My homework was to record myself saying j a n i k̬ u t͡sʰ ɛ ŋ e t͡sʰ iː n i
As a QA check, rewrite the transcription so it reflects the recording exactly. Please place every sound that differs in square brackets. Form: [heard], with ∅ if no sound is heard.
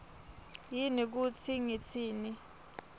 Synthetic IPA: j [i] n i k̬ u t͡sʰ [i] ŋ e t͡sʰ iː n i